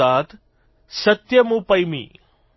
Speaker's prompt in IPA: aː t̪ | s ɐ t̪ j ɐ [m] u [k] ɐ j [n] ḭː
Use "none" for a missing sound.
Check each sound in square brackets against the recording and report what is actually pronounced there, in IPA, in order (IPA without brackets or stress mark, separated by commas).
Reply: m, p, m